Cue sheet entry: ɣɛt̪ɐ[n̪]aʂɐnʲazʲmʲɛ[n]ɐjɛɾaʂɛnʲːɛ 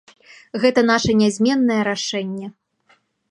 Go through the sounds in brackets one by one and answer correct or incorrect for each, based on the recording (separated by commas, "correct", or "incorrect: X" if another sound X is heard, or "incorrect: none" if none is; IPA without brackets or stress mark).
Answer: correct, incorrect: nː